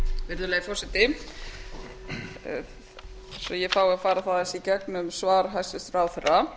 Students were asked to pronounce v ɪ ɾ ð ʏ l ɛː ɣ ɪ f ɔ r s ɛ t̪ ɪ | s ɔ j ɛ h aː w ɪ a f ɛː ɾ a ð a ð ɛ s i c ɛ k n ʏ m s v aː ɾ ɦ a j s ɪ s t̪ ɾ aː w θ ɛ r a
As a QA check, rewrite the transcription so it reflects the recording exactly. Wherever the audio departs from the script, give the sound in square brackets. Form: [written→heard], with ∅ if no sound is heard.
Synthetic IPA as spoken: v ɪ ɾ ð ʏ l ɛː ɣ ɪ f ɔ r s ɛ t̪ ɪ | s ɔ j ɛ [h→f] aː w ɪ a f [ɛː→aː] ɾ a [ð→θ] a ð ɛ s i c ɛ k n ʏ m s v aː ɾ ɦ a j s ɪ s t̪ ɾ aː w θ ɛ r a